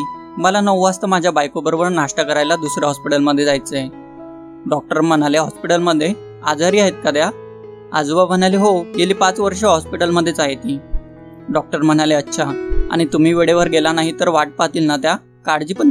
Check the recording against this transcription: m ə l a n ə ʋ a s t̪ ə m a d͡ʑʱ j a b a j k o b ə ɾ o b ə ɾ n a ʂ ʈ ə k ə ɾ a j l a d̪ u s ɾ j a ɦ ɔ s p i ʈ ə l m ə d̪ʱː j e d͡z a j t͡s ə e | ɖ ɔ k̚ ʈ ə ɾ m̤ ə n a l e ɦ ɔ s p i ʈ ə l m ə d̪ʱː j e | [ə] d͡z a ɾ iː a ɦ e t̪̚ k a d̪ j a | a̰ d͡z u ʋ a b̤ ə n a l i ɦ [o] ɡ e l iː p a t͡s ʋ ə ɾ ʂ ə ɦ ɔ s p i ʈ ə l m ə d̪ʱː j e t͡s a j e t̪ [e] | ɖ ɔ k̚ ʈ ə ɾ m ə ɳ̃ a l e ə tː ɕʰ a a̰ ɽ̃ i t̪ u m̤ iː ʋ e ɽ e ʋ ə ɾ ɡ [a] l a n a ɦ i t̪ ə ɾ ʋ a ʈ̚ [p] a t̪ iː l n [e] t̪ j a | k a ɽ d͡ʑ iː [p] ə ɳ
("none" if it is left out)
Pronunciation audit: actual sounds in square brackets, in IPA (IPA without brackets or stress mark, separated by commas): a, o, i, e, p, a, p